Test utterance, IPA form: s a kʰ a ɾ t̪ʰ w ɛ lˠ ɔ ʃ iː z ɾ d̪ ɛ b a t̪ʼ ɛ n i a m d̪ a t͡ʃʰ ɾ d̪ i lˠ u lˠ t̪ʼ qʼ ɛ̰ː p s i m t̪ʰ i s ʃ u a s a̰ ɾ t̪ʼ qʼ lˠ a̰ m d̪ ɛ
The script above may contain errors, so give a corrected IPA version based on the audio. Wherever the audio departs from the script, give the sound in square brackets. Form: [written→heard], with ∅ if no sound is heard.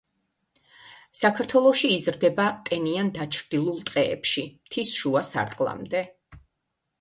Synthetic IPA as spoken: s a kʰ a ɾ t̪ʰ w ɛ lˠ ɔ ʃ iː z ɾ d̪ ɛ b a t̪ʼ ɛ n i a [m→n] d̪ a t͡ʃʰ ɾ d̪ i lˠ u lˠ t̪ʼ qʼ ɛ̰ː p [s→ʃ] i m t̪ʰ i s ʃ u a s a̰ ɾ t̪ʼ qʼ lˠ a̰ m d̪ ɛ